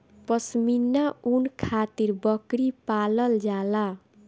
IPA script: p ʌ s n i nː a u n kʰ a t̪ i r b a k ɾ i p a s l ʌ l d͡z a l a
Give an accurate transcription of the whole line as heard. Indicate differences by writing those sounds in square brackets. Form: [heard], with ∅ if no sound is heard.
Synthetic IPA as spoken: p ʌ s [m] i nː a u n kʰ a t̪ i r b [ʌ] k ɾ i p a [∅] l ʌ l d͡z a l a